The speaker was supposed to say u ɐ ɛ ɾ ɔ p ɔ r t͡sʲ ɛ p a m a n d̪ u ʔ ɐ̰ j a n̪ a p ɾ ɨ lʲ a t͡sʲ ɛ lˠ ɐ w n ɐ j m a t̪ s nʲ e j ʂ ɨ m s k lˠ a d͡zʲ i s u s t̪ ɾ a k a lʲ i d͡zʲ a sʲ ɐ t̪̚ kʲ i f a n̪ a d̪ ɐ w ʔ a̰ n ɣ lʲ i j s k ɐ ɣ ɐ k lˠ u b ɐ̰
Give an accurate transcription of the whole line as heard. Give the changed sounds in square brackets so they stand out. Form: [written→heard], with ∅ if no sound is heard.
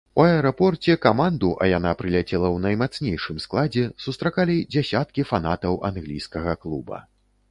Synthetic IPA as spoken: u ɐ ɛ ɾ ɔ p ɔ r t͡sʲ ɛ [p→k] a m a n d̪ u ʔ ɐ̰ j a n̪ a p ɾ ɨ lʲ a t͡sʲ ɛ lˠ ɐ w n ɐ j m a t̪ s nʲ e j ʂ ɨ m s k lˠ a d͡zʲ [i→ɛ] s u s t̪ ɾ a k a lʲ i d͡zʲ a sʲ [ɐ→a] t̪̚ kʲ i f a n̪ a [d̪→t̪] ɐ w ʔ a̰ n ɣ lʲ i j s k ɐ ɣ ɐ k lˠ u b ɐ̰